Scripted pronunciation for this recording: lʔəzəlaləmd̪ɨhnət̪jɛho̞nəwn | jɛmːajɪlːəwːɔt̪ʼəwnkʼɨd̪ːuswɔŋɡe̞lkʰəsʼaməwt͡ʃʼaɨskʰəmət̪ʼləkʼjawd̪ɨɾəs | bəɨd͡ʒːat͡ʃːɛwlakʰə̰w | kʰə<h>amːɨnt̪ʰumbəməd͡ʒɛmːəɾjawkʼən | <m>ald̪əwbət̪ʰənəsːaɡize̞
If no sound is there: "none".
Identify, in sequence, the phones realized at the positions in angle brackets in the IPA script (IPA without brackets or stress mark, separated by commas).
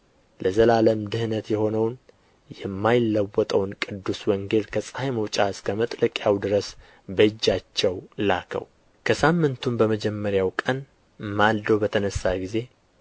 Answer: s, m